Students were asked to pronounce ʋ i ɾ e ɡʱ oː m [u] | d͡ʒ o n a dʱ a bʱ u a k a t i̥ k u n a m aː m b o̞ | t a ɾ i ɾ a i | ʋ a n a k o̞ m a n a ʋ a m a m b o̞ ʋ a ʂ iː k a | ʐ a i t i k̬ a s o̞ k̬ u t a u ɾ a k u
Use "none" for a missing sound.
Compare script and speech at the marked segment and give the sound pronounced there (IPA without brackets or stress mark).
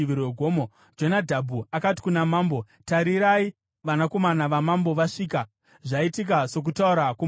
o